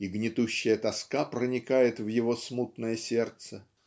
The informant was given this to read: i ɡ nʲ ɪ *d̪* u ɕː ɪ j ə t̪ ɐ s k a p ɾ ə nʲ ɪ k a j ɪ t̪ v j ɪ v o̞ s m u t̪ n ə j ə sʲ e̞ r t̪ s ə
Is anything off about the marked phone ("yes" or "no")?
yes